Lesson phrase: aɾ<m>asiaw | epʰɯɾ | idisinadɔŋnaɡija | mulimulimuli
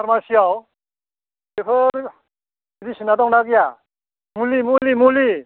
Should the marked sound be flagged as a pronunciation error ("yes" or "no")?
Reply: no